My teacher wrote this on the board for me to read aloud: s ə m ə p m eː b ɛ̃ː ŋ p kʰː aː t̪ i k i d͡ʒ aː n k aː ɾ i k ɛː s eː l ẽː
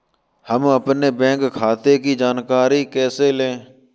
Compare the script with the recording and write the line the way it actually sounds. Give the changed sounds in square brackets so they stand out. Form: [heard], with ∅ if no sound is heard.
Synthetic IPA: [h] ə m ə p [n] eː b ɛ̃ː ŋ [k] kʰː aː t̪ [e] k i d͡ʒ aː n k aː ɾ i k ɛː s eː l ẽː